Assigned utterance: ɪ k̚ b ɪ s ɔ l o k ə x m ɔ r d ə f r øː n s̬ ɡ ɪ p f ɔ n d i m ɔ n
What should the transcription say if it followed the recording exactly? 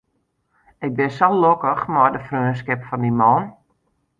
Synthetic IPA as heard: ɪ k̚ b ɪ s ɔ l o k ə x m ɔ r d ə f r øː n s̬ k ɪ p f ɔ n d i m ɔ n